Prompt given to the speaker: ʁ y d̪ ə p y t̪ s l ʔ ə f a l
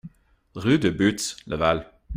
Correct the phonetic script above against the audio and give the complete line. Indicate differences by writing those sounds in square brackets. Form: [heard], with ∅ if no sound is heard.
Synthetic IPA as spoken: ʁ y d̪ ə [b] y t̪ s l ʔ ə [v] a l